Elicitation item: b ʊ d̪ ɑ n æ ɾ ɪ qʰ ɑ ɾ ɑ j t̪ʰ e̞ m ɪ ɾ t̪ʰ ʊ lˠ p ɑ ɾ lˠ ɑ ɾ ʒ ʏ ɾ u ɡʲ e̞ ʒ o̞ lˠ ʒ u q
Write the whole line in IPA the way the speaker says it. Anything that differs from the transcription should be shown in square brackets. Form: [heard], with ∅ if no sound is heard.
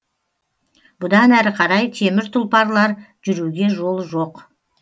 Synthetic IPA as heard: b ʊ d̪ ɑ n æ ɾ ɪ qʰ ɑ ɾ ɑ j t̪ʰ e̞ m ɪ ɾ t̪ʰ ʊ lˠ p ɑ ɾ lˠ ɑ ɾ ʒ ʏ ɾ u ɡʲ e̞ ʒ o̞ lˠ ʒ [o] q